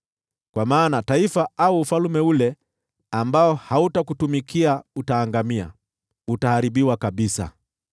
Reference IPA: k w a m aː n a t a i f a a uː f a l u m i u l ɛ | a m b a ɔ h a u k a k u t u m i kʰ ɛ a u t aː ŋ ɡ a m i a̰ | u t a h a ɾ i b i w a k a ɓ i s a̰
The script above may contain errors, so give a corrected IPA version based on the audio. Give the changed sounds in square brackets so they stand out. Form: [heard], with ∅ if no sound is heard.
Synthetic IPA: k w a m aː n a t a i f a a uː f a l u m [ɛ] u l ɛ | a m b a ɔ h a u [t] a k u t u m i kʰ [i] a u t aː ŋ ɡ a m i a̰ | u t a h a ɾ i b i w a k a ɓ i s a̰